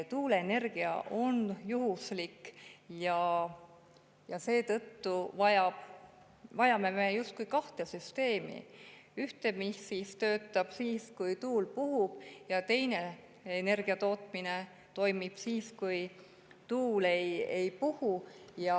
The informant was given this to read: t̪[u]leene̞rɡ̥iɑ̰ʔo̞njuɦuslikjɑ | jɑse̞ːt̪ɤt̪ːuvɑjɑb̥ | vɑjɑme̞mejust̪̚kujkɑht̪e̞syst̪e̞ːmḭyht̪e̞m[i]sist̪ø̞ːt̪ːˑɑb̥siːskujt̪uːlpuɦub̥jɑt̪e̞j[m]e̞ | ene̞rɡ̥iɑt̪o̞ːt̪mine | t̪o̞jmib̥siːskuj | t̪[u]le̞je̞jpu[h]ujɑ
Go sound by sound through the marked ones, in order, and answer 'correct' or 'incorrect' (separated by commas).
incorrect, correct, incorrect, incorrect, correct